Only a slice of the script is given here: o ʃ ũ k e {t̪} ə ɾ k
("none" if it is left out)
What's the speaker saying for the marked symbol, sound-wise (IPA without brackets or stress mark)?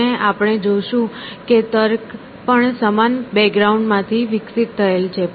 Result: t̪